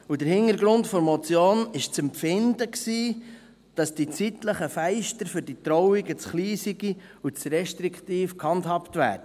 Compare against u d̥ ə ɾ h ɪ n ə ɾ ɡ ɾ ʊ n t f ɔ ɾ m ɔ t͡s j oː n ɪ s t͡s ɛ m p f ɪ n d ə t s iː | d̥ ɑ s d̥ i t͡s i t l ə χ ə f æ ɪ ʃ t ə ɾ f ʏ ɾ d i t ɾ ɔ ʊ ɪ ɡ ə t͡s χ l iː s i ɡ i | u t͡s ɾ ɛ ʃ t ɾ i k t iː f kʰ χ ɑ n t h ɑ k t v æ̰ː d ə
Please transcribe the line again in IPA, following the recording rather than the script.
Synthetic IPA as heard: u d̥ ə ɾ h ɪ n ə ɾ ɡ ɾ ʊ n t f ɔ ɾ m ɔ t͡s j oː n ɪ ʃ t͡s ɛ m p f ɪ n d ə k s iː | d̥ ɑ s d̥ i t͡s i t l ə χ ə f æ ɪ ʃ t ə ɾ f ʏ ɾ d i t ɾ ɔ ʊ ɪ ɡ ə t͡s χ l iː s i ɡ i | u t͡s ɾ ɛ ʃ t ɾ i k t iː f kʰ h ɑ n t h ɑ p t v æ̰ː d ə